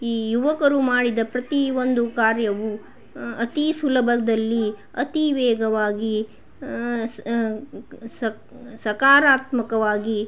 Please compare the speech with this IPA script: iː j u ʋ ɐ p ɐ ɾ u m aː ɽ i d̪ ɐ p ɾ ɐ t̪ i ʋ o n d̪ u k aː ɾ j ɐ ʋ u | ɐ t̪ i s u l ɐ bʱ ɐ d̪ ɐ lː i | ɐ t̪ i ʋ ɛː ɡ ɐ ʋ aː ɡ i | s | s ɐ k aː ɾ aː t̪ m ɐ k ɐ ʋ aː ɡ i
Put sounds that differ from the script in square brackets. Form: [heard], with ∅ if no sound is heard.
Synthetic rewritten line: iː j u ʋ ɐ [k] ɐ ɾ u m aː ɽ i d̪ ɐ p ɾ ɐ t̪ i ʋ o n d̪ u k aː ɾ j ɐ ʋ u | ɐ t̪ i s u l ɐ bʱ ɐ d̪ ɐ lː i | ɐ t̪ i ʋ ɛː ɡ ɐ ʋ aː ɡ i | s | s ɐ k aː ɾ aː t̪ m ɐ k ɐ ʋ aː ɡ i

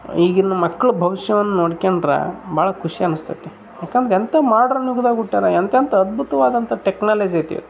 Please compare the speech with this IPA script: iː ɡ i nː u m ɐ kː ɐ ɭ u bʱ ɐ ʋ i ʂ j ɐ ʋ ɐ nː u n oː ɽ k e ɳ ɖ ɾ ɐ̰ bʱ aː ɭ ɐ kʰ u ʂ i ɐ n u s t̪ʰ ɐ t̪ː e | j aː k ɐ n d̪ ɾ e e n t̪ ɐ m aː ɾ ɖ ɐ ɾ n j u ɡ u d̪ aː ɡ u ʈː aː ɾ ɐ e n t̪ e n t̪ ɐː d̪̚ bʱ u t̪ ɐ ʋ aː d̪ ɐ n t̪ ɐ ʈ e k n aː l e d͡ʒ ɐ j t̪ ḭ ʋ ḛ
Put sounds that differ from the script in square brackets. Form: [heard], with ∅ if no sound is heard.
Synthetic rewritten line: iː ɡ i nː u m ɐ kː ɐ ɭ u bʱ ɐ ʋ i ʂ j ɐ ʋ ɐ nː u n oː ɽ k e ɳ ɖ ɾ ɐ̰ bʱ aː ɭ ɐ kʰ u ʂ i ɐ n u s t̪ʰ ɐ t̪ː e | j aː k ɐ n d̪ ɾ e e n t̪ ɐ m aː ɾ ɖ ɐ ɾ n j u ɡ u d̪ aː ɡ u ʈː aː ɾ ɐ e n t̪ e n t̪ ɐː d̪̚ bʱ u t̪ ɐ ʋ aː d̪ ɐ n t̪ ɐ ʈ e k n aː l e d͡ʒ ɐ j t̪ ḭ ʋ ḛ

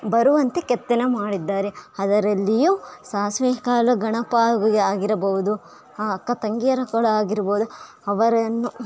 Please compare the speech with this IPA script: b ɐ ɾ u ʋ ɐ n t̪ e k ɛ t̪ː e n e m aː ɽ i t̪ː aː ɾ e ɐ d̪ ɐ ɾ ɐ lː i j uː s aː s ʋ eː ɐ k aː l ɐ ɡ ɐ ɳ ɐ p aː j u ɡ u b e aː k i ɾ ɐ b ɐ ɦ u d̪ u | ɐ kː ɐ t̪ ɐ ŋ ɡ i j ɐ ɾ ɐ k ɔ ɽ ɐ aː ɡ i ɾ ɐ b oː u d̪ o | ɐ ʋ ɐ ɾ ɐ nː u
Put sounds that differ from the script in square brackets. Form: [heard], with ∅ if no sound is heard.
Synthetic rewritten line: b ɐ ɾ u ʋ ɐ n t̪ e k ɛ t̪ː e n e m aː ɽ i [d̪ː] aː ɾ e ɐ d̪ ɐ ɾ ɐ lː i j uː s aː s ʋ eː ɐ k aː l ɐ ɡ ɐ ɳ ɐ p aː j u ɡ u [ɡ] e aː [ɡ] i ɾ ɐ b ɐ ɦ u d̪ u | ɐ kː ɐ t̪ ɐ ŋ ɡ i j ɐ ɾ ɐ k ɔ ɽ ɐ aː ɡ i ɾ ɐ b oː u d̪ [u] | ɐ ʋ ɐ ɾ ɐ nː u

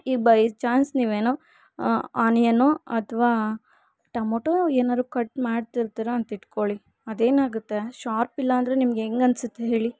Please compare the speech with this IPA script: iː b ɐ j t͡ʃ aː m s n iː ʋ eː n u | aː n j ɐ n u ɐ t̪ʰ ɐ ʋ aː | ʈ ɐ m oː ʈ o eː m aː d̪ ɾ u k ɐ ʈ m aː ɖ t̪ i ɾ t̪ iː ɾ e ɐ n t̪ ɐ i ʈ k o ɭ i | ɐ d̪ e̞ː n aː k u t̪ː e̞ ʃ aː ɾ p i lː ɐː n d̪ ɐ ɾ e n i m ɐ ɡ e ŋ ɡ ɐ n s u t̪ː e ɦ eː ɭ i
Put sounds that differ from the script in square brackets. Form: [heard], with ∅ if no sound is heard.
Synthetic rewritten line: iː b ɐ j t͡ʃ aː [n] s n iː ʋ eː n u | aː n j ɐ n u ɐ t̪ʰ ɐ ʋ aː | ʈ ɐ m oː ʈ o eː [n] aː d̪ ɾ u k ɐ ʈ m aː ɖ t̪ i ɾ t̪ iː ɾ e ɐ n t̪ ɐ i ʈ k o ɭ i | ɐ d̪ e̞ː n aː [ɡ] u t̪ː e̞ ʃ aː ɾ p i lː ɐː n d̪ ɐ ɾ e n i m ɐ ɡ e ŋ ɡ ɐ n s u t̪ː e ɦ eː ɭ i

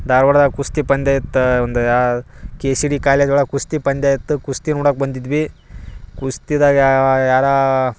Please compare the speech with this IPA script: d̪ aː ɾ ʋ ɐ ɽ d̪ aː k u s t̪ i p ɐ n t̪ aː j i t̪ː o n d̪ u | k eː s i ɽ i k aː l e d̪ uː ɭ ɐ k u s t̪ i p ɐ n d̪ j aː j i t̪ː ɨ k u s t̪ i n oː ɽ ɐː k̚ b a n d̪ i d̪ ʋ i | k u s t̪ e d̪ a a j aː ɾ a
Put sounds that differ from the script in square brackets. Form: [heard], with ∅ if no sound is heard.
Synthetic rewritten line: d̪ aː ɾ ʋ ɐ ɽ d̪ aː k u s t̪ i p ɐ n [d̪] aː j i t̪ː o n d̪ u | k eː s i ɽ i k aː l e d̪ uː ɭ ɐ k u s t̪ i p ɐ n d̪ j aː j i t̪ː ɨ k u s t̪ i n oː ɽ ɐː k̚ b [ɐ] n d̪ i d̪ ʋ i | k u s t̪ [i] d̪ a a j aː ɾ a

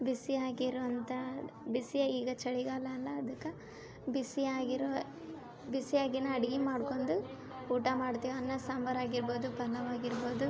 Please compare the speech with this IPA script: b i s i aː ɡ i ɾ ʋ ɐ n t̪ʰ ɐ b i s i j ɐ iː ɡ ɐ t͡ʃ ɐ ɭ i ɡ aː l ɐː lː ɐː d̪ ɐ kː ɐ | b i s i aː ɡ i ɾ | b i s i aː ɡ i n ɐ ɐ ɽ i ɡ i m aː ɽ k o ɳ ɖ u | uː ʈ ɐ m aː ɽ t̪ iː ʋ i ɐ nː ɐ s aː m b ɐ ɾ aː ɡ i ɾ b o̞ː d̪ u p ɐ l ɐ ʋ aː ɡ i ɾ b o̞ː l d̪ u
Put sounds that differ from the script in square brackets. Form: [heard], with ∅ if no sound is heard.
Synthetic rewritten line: b i s i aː ɡ i ɾ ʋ ɐ n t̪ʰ ɐ b i s i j ɐ iː ɡ ɐ t͡ʃ ɐ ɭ i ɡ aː l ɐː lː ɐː d̪ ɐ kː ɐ | b i s i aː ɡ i ɾ | b i s i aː ɡ i n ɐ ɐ ɽ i ɡ i m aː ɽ k o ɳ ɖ u | uː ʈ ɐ m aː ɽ t̪ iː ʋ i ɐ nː ɐ s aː m b ɐ ɾ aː ɡ i ɾ b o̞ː d̪ u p ɐ l ɐ ʋ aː ɡ i ɾ b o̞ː [∅] d̪ u

